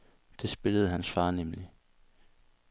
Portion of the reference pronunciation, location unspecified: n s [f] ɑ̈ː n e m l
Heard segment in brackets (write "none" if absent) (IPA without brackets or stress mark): f